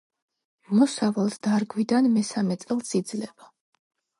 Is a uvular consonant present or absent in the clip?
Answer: absent